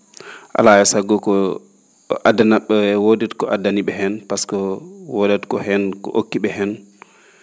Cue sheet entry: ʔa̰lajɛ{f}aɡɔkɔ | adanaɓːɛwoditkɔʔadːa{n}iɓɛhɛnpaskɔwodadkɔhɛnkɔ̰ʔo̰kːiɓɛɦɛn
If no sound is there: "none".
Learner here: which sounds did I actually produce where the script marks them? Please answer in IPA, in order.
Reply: s, n

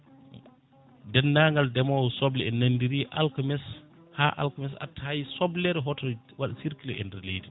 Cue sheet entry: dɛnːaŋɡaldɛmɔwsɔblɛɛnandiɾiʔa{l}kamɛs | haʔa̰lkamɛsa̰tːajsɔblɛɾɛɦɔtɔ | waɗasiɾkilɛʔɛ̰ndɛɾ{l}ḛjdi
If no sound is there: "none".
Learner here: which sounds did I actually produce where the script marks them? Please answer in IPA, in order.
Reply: l, l

